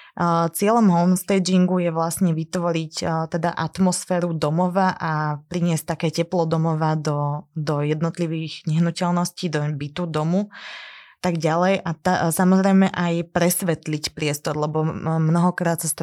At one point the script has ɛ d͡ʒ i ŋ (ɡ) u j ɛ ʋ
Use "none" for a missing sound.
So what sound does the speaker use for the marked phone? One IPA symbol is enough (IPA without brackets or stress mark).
ɡ